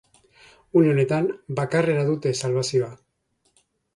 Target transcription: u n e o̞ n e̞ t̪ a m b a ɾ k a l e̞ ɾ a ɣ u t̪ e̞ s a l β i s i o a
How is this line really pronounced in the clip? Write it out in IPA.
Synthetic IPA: u n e o̞ n e̞ t̪ a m b a k a r e̞ ɾ a ð u t̪ e̞ s a l β a s i o a